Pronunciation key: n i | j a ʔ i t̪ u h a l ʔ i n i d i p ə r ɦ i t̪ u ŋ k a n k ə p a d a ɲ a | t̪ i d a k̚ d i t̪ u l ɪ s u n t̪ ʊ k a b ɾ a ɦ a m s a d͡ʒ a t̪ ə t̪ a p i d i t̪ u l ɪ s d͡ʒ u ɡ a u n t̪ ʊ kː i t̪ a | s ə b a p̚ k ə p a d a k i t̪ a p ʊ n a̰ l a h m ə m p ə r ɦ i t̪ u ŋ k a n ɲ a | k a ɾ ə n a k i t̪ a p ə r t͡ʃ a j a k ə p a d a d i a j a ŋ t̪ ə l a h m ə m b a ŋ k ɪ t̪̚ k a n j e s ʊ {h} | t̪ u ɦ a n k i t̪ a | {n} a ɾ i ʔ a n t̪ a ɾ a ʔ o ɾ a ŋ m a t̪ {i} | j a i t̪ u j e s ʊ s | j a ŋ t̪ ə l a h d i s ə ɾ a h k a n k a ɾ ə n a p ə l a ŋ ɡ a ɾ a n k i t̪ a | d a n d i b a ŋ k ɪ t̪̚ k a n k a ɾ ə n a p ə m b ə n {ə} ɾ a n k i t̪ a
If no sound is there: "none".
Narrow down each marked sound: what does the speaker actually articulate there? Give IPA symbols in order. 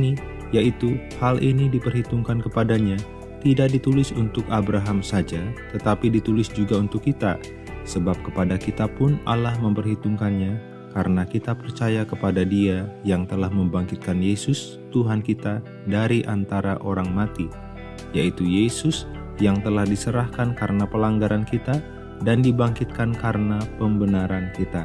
s, d, i, a

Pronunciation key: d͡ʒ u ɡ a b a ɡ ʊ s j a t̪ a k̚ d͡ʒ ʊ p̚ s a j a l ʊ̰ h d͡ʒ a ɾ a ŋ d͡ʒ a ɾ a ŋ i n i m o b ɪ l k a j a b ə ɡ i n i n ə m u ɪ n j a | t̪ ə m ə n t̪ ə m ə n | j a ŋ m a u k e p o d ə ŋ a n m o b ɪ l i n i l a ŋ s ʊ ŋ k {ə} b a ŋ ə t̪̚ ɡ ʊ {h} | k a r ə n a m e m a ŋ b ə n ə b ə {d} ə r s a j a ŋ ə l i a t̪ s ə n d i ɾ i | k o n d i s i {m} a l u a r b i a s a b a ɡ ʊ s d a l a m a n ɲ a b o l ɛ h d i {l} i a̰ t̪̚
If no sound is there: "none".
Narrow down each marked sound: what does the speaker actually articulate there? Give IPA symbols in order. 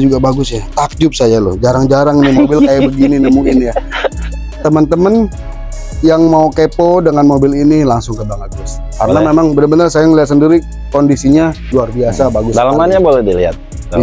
ə, s, n, ɲ, l

